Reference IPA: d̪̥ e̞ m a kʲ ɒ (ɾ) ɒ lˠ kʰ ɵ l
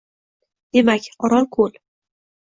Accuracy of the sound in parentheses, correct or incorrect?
correct